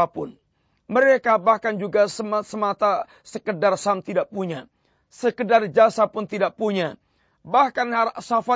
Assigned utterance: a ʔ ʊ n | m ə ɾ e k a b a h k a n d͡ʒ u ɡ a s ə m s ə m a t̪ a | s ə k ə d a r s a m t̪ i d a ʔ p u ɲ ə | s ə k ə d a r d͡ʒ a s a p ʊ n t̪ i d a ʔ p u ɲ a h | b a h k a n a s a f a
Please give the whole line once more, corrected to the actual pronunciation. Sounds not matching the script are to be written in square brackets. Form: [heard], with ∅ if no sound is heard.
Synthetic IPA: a [p] ʊ n | m ə ɾ e k a b a h k a n d͡ʒ u ɡ a s ə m s ə m a t̪ a | s ə k ə d a r s a m t̪ i d a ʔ p u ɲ [a] | s ə k ə d a r d͡ʒ a s a p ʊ n t̪ i d a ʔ p u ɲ a [∅] | b a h k a n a s a f a